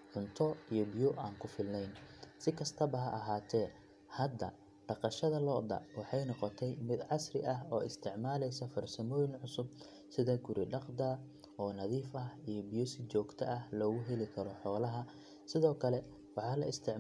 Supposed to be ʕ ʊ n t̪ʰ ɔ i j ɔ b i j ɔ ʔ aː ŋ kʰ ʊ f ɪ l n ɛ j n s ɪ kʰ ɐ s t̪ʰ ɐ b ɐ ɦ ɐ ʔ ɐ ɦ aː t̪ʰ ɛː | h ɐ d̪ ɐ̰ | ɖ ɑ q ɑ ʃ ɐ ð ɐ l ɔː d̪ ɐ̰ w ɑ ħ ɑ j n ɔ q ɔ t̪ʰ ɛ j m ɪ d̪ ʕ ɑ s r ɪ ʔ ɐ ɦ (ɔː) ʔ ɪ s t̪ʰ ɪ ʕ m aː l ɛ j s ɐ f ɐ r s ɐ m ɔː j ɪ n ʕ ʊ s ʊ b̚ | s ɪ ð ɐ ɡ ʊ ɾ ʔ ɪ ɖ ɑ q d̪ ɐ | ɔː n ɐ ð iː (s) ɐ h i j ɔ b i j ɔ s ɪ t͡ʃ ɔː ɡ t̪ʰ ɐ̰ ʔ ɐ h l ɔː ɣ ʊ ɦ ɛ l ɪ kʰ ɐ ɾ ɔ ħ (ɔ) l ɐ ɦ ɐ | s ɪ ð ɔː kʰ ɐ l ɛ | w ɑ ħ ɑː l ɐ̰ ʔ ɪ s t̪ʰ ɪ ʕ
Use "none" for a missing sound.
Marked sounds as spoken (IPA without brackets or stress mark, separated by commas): ɔː, f, ɔː